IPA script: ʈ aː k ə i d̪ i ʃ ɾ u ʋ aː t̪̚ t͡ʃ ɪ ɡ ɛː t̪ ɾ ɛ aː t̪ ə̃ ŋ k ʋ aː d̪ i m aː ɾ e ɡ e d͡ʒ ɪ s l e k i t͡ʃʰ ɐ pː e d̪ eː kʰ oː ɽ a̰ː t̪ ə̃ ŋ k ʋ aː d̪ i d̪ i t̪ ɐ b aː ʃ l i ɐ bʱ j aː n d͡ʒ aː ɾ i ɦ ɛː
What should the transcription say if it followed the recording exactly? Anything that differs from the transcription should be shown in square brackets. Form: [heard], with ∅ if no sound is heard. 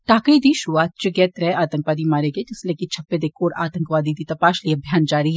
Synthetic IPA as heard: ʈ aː k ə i d̪ i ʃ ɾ u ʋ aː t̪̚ t͡ʃ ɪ ɡ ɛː t̪ ɾ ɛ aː t̪ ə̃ ŋ k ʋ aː d̪ i m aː ɾ e ɡ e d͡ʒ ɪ s l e k i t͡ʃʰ ɐ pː e d̪ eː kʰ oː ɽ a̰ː t̪ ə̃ ŋ k ʋ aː d̪ i d̪ i t̪ ɐ [p] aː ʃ l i ɐ bʱ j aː n d͡ʒ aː ɾ i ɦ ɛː